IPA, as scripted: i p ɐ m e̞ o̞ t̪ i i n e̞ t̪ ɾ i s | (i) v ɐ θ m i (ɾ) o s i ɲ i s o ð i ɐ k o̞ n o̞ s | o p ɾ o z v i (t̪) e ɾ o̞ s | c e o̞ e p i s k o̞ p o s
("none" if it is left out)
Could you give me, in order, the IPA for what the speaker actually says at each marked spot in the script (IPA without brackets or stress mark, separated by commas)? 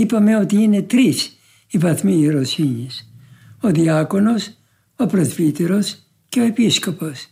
i, ɾ, t̪